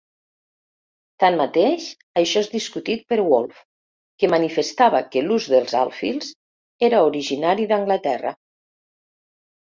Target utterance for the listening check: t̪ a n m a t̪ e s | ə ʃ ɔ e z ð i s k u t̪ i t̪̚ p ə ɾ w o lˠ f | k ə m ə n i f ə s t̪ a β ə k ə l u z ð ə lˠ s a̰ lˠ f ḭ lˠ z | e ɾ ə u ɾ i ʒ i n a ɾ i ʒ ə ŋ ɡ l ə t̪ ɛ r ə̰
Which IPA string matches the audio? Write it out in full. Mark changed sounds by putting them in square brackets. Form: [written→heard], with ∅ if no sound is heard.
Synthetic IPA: t̪ a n m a t̪ e [s→ʃ] | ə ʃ ɔ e z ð i s k u t̪ i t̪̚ p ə ɾ w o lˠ f | k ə m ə n i f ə s t̪ a β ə k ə l u z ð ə lˠ [s→z] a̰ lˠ f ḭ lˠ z | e ɾ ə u ɾ i ʒ i n a ɾ i [ʒ→ð] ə ŋ ɡ l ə t̪ ɛ r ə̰